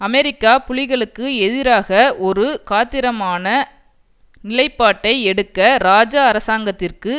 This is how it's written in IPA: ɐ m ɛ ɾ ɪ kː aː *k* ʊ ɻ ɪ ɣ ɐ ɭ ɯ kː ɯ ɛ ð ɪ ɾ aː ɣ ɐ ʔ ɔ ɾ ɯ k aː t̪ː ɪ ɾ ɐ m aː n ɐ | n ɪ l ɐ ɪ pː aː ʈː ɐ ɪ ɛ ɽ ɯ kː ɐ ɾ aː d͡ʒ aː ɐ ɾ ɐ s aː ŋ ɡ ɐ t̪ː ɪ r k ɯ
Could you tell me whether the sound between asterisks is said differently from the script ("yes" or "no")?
yes